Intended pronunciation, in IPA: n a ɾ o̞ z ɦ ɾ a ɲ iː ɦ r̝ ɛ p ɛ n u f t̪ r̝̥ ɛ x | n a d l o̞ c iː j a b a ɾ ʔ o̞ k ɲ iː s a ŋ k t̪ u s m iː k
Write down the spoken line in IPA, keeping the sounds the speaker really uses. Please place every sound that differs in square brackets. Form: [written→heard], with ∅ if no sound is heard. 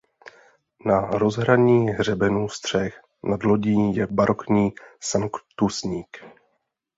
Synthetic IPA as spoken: n a ɾ o̞ z ɦ ɾ a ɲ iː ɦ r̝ ɛ [p→b] ɛ n u [f→s] t̪ r̝̥ ɛ x | n a d l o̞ [c→ɟ] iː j [a→ɛ] b a ɾ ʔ o̞ k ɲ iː s a ŋ k t̪ u s [m→ɲ] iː k